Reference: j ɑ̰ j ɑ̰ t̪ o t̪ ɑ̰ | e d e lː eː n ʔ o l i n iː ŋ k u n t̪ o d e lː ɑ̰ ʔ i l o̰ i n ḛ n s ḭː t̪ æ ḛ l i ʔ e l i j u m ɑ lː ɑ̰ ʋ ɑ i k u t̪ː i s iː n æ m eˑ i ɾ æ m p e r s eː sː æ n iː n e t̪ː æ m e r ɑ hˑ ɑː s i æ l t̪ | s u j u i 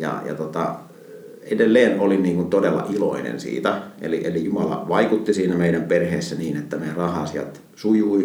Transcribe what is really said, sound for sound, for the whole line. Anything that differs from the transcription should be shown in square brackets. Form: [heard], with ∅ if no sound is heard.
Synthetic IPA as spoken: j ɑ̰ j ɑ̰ t̪ o t̪ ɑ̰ | e d e lː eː n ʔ o l i n iː ŋ k u n t̪ o d e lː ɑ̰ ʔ i l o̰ i n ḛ n s ḭː t̪ æ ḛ l i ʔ e l i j u m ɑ [l] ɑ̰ ʋ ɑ i k u t̪ː i s iː n æ m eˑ i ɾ æ m p e r [h] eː sː æ n iː n e t̪ː æ m e r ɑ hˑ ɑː s i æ l t̪ | s u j u i